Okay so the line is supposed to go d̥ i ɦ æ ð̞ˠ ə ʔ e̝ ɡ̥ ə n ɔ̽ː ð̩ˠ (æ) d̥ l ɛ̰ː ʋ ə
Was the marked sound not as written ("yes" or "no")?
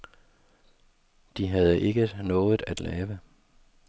no